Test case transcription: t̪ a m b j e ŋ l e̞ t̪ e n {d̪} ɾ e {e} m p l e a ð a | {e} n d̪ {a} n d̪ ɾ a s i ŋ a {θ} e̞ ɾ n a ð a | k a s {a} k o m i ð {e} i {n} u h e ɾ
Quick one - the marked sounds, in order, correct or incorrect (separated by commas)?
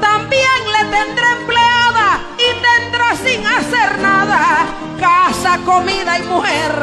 correct, correct, incorrect, incorrect, incorrect, correct, incorrect, incorrect